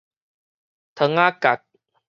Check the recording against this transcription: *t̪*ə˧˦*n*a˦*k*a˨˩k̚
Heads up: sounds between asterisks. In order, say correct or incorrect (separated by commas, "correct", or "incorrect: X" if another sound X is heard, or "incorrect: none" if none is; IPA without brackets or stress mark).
incorrect: t̪ʰ, incorrect: ŋ, correct